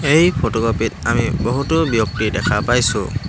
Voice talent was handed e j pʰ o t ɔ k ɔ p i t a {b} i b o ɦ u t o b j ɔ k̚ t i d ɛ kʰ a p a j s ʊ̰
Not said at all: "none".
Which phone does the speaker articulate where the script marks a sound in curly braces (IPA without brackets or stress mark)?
m